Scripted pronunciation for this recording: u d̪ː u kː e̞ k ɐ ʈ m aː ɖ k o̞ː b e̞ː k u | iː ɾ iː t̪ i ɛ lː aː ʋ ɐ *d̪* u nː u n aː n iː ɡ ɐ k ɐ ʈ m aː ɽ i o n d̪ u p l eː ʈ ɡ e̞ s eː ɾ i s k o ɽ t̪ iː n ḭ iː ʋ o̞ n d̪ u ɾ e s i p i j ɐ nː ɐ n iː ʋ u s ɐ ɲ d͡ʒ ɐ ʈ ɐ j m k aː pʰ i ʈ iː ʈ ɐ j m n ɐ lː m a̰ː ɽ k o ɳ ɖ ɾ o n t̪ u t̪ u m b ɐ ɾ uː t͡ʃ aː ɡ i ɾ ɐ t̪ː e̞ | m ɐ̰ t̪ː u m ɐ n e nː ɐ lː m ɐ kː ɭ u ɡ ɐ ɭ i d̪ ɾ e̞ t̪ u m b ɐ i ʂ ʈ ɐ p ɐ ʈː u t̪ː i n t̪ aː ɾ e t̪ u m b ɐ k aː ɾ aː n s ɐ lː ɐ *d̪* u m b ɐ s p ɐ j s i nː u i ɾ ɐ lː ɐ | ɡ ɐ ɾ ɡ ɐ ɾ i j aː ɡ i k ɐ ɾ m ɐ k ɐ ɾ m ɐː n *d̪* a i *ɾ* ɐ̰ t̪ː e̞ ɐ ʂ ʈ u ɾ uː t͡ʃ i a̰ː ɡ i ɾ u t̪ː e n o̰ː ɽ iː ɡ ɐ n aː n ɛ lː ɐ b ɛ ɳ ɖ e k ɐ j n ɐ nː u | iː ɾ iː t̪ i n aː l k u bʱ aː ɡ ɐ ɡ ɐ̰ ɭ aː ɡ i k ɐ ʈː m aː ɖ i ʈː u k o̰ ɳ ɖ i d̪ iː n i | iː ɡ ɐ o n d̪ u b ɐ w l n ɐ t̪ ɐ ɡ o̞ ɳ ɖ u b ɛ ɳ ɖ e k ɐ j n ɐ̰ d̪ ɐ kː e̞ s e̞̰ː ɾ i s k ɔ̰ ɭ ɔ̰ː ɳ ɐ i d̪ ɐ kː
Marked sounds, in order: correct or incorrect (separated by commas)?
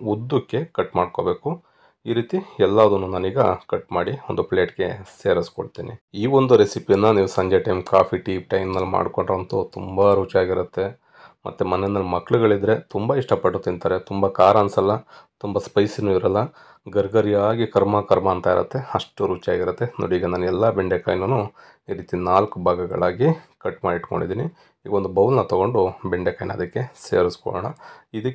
correct, incorrect, incorrect, correct